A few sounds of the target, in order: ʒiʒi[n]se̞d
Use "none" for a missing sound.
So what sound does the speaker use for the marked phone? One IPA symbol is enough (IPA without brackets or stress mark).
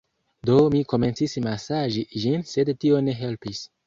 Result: n